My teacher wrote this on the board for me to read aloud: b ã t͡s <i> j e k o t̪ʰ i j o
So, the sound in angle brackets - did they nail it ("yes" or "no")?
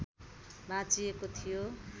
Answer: yes